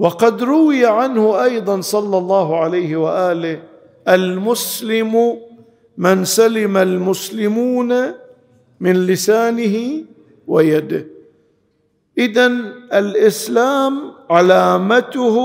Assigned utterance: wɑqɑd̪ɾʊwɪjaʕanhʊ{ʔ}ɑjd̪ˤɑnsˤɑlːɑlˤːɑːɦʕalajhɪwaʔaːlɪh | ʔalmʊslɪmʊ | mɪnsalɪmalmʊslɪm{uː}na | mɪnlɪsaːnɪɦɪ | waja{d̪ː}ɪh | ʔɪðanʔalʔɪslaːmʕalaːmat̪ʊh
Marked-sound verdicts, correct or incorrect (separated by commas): correct, correct, incorrect